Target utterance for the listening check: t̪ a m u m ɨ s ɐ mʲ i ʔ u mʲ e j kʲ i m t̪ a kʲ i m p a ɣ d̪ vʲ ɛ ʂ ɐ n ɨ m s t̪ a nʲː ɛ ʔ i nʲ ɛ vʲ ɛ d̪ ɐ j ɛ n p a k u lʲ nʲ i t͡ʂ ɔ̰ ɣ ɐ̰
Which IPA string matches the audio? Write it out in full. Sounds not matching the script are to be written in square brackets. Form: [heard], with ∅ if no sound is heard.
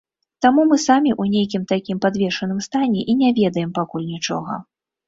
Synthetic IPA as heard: t̪ a m u m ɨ s [a] mʲ i ʔ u [nʲ] e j kʲ i m t̪ a kʲ i m p a [∅] d̪ vʲ ɛ ʂ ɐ n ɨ m s t̪ a [nʲ] ɛ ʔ i nʲ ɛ vʲ ɛ d̪ ɐ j ɛ [m] p a k u lʲ nʲ i t͡ʂ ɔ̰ ɣ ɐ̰